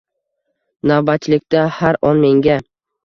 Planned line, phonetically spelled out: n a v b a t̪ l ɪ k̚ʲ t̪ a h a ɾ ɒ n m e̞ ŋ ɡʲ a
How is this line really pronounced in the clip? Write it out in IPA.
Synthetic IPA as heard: n a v b a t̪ l ɪ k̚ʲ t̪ a h a ɾ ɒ n m e̞ ŋ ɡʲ a